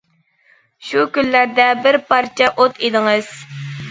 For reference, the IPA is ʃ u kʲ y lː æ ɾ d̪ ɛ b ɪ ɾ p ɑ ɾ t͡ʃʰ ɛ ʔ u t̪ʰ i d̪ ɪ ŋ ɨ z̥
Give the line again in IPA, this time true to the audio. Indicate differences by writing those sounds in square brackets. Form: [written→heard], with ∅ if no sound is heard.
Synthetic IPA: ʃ u kʲ y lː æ ɾ d̪ ɛ b ɪ ɾ p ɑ ɾ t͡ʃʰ ɛ ʔ [u→o] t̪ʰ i d̪ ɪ ŋ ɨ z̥